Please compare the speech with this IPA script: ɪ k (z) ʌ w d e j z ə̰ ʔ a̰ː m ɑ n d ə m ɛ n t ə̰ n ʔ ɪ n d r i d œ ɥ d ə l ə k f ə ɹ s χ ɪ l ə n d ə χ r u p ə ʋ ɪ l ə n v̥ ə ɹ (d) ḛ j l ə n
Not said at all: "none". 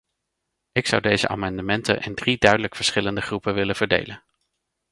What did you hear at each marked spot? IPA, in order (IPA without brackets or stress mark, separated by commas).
s, d